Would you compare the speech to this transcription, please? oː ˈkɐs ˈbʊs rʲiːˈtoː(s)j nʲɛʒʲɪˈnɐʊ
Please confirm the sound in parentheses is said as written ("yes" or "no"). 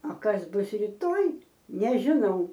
no